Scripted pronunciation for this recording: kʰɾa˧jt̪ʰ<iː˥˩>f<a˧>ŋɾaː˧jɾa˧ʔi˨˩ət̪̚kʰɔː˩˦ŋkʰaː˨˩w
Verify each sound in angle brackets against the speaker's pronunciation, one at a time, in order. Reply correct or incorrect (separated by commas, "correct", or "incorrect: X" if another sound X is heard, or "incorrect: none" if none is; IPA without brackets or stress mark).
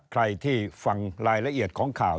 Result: correct, correct